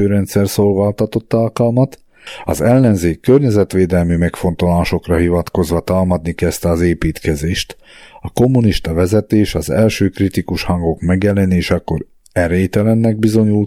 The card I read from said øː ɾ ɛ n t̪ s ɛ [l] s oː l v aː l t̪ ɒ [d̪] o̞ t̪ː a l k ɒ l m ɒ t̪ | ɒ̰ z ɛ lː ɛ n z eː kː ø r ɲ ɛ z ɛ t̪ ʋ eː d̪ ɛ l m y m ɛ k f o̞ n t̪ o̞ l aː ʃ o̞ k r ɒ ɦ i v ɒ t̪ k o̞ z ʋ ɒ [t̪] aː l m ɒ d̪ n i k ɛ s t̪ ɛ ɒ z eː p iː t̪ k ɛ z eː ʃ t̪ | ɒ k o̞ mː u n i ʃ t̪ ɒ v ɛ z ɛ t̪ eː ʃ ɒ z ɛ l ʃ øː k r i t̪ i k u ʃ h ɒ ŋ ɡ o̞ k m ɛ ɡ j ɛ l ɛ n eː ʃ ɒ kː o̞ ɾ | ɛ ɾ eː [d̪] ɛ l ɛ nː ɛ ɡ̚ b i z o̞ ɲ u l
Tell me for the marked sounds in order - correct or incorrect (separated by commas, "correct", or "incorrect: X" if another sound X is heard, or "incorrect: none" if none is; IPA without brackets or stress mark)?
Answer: incorrect: r, incorrect: t̪, correct, incorrect: t̪